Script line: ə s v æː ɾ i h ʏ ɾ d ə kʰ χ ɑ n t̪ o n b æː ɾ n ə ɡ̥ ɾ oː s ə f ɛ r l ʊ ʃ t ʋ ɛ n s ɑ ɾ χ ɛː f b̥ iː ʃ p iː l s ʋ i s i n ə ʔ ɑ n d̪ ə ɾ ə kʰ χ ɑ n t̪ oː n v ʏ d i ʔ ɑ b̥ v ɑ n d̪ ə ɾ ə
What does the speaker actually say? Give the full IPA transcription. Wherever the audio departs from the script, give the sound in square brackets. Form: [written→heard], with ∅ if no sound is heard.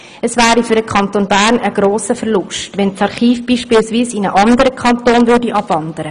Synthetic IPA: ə s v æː ɾ i [h→f] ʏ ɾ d ə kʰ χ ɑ n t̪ o n b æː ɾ n ə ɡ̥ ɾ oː s ə f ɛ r l ʊ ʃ t ʋ ɛ n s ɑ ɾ χ [ɛː→iː] f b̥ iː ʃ p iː l s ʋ [i→iː] s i n ə ʔ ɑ n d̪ ə ɾ ə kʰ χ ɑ n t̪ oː n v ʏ d i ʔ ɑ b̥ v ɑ n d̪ ə ɾ ə